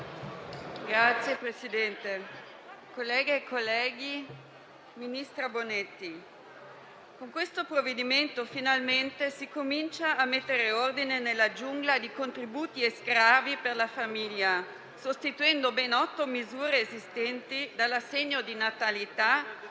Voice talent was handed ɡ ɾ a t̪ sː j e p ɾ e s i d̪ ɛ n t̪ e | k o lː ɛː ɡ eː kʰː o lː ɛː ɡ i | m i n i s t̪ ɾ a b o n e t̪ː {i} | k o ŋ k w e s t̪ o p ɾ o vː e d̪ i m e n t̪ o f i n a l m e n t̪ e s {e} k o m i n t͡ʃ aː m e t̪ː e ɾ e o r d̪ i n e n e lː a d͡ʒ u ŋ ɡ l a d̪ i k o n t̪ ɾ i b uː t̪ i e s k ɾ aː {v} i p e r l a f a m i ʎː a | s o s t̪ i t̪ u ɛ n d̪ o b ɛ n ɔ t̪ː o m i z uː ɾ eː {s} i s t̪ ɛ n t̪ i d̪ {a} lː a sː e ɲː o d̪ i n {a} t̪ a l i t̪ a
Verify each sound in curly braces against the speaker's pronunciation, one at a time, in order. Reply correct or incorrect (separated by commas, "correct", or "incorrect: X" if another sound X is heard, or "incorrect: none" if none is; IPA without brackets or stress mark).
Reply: correct, incorrect: i, correct, incorrect: z, correct, correct